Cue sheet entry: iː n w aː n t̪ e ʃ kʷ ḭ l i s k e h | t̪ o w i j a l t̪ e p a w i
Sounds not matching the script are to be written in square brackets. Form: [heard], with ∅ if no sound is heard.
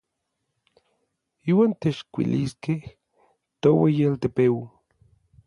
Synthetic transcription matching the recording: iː [∅] w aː n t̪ e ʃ kʷ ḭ l i s k e h | t̪ o w [e] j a l t̪ e p [e] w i